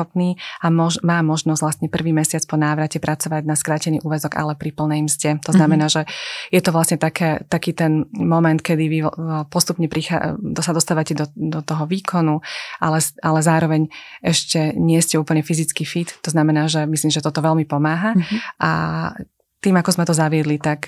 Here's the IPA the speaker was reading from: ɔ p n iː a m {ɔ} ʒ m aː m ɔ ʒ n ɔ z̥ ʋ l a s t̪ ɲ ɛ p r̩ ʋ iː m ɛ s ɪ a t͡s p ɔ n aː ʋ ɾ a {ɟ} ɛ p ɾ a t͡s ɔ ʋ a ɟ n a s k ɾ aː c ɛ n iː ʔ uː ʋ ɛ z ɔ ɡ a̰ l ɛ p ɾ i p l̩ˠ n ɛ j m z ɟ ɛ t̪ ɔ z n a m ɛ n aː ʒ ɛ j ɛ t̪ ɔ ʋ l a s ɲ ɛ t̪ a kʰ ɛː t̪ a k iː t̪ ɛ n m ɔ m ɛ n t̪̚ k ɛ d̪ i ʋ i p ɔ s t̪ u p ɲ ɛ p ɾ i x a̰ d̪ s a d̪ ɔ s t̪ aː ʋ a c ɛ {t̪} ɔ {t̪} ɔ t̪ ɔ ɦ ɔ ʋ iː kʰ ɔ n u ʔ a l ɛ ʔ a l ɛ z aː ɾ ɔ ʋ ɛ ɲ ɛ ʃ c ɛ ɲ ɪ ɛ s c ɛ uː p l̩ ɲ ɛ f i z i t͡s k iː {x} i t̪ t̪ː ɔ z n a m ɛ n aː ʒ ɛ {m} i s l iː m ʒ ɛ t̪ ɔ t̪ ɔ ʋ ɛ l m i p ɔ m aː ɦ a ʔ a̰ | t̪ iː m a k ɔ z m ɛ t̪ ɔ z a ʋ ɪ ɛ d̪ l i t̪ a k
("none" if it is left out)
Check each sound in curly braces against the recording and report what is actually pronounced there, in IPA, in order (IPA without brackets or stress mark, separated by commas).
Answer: ɔ, c, d̪, d̪, f, m